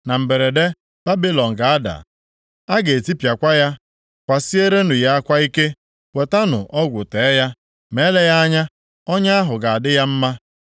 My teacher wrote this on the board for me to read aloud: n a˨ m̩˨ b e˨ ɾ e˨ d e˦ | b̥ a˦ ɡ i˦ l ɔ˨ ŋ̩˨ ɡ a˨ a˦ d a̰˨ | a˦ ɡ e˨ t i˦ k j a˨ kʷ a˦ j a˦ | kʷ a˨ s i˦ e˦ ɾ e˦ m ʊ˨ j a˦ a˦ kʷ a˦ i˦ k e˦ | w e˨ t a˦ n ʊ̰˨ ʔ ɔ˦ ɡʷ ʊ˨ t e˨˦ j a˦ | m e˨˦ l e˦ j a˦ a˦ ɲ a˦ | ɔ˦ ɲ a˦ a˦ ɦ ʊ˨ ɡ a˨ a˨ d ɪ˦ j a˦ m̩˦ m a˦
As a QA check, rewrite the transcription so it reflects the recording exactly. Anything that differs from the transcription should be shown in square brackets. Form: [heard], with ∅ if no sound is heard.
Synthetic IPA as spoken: n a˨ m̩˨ b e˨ ɾ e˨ d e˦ | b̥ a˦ [b] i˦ l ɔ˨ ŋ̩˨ ɡ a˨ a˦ d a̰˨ | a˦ ɡ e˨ t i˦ [p] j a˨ kʷ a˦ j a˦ | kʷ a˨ s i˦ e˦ ɾ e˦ [n] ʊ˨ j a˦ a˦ kʷ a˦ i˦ k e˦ | w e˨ t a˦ n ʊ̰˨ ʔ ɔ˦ ɡʷ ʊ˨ t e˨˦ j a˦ | m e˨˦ l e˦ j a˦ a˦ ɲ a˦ | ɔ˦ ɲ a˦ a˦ ɦ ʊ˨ ɡ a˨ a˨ d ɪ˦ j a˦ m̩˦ m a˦